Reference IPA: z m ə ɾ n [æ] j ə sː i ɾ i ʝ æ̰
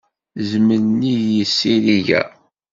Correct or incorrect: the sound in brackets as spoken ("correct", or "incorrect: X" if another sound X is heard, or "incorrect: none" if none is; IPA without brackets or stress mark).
incorrect: i